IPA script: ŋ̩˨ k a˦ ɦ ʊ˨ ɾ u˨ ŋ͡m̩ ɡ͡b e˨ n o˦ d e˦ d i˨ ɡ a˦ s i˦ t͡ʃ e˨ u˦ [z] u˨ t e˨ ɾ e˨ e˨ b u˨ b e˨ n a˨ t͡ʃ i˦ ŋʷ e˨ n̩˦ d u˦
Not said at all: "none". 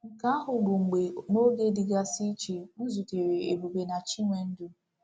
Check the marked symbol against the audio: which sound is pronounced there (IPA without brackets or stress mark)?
z